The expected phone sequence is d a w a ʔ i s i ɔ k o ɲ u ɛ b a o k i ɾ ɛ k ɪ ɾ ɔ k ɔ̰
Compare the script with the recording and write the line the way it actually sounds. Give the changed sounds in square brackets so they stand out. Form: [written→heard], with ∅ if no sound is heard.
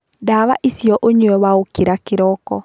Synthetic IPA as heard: d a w a ʔ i s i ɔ [k→ʔ] o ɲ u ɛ [b→w] a o k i ɾ [ɛ→a] k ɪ ɾ ɔ k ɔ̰

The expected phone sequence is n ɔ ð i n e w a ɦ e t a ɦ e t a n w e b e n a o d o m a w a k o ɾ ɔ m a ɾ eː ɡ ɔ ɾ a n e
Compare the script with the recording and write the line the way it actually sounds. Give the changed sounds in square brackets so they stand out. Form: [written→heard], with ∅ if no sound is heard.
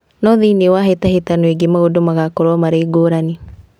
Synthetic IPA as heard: n ɔ ð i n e w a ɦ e t a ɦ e t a n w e [b→ɡ] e [n→m] a o d o m a [w→ɣ] a k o ɾ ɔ m a ɾ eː ɡ [ɔ→o] ɾ a n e

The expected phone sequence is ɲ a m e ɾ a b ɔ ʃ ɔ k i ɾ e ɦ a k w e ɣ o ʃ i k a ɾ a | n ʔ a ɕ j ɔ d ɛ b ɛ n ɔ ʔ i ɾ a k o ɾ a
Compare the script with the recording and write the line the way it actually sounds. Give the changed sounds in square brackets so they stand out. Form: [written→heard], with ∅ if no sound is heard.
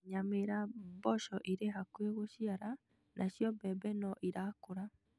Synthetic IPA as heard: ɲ a m e ɾ a b ɔ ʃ ɔ [k→ʔ] i ɾ e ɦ a k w e ɣ o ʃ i [k→∅] a ɾ a | n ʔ a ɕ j ɔ [d→b] ɛ b ɛ n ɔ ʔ i ɾ a k o ɾ a

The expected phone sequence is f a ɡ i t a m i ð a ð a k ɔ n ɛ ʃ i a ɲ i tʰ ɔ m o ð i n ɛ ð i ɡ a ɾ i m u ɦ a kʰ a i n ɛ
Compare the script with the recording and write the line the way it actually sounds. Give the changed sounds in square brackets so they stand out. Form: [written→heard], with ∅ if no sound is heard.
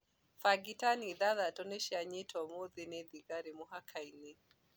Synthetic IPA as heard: f a ɡ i t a [m→n] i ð a ð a [k→t] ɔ n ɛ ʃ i a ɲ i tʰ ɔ m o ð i n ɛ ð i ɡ a ɾ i m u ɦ a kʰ a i n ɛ

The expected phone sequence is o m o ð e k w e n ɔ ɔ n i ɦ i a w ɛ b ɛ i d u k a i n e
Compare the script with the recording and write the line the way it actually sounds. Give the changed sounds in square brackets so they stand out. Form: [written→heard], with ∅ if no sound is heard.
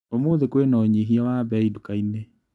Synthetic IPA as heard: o m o ð e k w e n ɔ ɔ [n→ɲ] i ɦ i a w [ɛ→a] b ɛ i d u k a i n e

